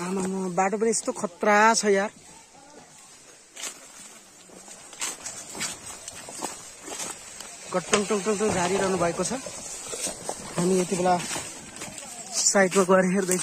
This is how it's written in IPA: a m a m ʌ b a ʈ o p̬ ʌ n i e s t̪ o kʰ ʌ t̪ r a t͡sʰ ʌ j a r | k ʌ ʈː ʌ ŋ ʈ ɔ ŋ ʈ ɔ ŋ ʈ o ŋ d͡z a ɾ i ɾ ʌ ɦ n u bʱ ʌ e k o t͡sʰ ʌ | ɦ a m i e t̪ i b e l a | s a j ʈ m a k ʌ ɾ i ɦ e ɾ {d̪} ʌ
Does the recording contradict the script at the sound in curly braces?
no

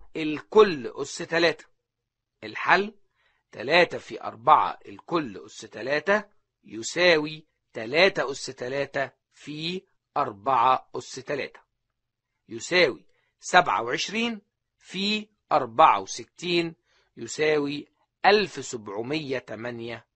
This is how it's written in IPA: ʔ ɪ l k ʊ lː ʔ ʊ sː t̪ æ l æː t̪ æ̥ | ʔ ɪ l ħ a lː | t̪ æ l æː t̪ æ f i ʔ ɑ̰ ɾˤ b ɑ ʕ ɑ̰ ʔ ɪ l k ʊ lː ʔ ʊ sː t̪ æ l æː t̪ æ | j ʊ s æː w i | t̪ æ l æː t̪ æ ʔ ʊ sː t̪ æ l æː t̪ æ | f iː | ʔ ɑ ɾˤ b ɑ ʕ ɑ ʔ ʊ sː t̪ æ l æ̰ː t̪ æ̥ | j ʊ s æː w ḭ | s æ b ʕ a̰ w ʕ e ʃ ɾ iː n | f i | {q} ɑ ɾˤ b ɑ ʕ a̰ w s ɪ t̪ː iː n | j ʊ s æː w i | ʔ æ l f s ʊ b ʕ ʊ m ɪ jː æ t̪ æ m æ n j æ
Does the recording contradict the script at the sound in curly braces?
yes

